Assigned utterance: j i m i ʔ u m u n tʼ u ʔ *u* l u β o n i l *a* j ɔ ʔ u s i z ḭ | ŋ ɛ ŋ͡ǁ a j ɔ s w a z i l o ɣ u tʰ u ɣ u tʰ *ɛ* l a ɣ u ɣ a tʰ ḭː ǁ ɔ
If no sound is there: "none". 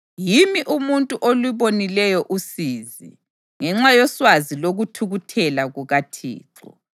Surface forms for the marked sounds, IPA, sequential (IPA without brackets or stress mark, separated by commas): o, ɛ, ɛ